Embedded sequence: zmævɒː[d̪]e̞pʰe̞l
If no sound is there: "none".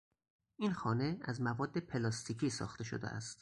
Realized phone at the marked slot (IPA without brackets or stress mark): d̪ː